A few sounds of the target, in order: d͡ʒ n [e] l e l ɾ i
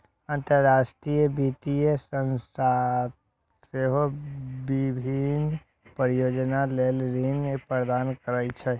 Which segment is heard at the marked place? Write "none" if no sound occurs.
a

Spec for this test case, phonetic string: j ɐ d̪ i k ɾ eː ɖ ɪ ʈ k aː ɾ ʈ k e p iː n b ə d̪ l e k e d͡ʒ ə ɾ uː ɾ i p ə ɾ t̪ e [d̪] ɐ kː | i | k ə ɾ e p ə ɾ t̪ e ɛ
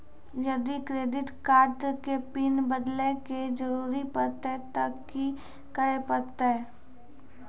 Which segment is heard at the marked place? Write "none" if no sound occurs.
t̪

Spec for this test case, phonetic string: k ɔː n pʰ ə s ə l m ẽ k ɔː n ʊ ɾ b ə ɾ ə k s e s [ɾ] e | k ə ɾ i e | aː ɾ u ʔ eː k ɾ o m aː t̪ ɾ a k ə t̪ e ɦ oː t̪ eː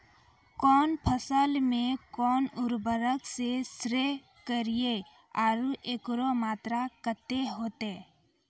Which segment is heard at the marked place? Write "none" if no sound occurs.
ɾ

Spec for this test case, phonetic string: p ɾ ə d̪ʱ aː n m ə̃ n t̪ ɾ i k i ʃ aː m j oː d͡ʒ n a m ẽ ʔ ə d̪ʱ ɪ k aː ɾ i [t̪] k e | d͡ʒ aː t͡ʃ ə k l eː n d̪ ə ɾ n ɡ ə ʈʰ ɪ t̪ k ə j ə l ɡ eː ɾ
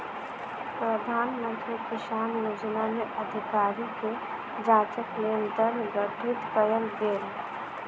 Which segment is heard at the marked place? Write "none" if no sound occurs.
none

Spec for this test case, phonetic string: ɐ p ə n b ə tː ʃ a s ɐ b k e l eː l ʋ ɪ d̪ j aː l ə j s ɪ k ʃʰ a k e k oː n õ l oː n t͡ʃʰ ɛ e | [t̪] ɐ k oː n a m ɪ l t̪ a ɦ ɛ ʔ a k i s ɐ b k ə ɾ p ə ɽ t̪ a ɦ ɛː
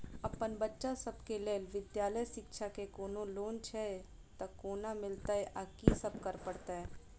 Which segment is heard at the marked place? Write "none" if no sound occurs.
t̪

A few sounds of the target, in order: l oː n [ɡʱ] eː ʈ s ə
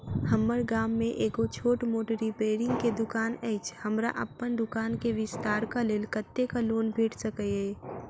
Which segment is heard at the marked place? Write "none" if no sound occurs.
bʱ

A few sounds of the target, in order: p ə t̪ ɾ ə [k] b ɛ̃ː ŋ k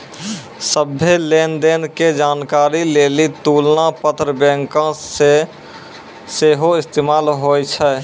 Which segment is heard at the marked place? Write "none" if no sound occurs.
none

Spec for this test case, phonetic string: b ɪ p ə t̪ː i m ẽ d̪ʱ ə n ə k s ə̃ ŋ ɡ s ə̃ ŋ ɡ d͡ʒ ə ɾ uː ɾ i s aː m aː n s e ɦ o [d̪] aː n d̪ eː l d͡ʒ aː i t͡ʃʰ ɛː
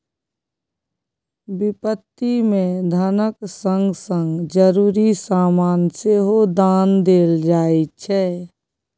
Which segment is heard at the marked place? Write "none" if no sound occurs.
d̪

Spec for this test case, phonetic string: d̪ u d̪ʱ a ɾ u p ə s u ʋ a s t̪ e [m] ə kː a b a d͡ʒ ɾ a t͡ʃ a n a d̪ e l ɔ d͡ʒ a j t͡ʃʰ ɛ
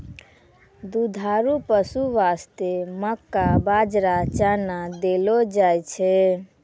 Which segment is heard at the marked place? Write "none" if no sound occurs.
m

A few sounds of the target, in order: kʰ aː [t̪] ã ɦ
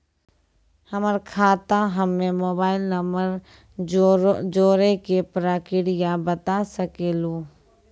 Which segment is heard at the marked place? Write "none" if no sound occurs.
t̪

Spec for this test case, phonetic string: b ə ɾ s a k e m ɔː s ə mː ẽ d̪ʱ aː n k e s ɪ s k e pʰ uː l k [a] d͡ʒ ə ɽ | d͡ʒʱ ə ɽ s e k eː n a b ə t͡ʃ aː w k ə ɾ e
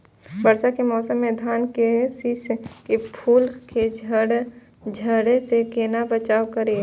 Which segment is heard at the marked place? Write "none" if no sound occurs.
e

